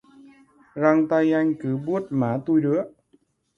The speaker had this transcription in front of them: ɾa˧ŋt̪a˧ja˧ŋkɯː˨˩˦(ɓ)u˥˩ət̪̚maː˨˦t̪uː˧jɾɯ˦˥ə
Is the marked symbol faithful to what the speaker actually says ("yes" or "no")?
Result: no